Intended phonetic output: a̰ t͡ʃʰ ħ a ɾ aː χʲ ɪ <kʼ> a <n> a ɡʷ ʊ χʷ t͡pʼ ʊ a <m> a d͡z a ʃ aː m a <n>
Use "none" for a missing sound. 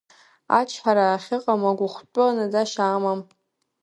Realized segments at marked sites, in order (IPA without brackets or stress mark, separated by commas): qʼ, m, n, m